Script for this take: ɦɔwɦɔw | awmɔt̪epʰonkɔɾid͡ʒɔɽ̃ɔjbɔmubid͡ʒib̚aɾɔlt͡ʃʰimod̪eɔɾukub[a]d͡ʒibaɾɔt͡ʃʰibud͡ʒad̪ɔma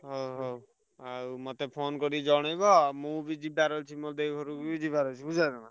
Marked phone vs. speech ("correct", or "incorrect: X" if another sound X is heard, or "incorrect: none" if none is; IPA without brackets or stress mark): incorrect: i